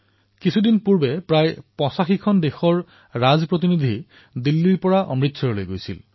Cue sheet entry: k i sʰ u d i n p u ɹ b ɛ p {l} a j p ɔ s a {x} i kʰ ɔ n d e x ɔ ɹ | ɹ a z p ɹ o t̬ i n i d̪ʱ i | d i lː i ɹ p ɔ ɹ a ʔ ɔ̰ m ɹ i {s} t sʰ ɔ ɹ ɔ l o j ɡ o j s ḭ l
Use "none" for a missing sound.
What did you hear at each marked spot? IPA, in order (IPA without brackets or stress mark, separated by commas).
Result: ɹ, x, none